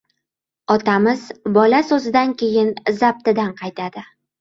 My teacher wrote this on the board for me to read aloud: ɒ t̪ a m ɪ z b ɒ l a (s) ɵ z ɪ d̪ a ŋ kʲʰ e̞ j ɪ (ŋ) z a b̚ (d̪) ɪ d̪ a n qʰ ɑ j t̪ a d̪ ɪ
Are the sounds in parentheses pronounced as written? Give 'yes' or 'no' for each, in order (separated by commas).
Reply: yes, no, no